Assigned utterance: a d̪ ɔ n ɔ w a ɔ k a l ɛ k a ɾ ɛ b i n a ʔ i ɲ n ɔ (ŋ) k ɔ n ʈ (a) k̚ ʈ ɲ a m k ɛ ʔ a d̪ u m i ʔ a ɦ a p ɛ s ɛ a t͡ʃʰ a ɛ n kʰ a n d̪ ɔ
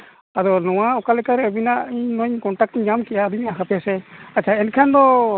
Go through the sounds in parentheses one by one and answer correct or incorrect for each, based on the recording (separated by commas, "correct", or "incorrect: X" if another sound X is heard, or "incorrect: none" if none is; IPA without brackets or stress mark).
incorrect: ɲ, correct